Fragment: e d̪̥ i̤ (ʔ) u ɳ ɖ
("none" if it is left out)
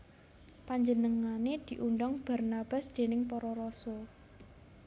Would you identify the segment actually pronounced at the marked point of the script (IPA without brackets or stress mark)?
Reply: ʔ